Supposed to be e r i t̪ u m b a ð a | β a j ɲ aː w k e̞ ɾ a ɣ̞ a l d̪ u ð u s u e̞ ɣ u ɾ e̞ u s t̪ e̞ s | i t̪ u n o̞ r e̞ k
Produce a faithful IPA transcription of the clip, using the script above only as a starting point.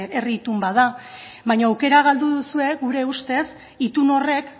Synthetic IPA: e r i t̪ u m b a ð a | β a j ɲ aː w k e̞ ɾ a ɣ̞ a l d̪ u ð u s u e̞ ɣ u ɾ e̞ u s t̪ e̞ s | i t̪ u n o̞ r e̞ k